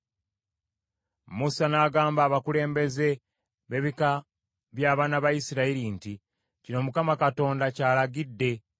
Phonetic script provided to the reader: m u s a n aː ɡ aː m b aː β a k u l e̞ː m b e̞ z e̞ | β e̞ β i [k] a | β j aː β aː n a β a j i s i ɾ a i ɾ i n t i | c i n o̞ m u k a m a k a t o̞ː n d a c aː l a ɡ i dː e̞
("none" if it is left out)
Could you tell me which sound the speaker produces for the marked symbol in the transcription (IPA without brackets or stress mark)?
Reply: k